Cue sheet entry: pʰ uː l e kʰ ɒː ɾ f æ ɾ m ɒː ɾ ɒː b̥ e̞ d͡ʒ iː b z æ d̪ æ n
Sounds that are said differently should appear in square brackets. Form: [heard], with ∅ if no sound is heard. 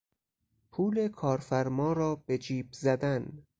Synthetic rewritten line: pʰ uː l e kʰ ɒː ɾ f æ ɾ m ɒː ɾ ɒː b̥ e̞ d͡ʒ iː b z æ d̪ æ n

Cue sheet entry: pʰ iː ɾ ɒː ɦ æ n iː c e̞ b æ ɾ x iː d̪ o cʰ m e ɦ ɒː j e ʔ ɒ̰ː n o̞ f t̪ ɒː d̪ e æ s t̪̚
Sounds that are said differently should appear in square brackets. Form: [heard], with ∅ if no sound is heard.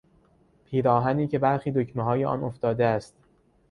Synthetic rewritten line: pʰ iː ɾ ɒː ɦ æ n iː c e̞ b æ ɾ x iː d̪ o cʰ m e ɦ ɒː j e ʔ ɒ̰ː n o̞ f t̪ ɒː d̪ e æ s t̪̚

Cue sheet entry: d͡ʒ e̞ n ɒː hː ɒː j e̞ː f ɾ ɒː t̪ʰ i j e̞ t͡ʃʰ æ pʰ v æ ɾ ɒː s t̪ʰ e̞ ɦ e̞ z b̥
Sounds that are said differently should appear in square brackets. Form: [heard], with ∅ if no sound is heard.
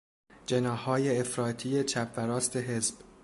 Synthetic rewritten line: d͡ʒ e̞ n ɒː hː ɒː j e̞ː f ɾ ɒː t̪ʰ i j e̞ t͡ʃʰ æ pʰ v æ ɾ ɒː s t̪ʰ e̞ ɦ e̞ z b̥

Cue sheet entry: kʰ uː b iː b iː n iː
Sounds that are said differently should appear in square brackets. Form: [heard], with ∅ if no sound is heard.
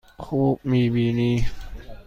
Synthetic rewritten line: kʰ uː [m] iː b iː n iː

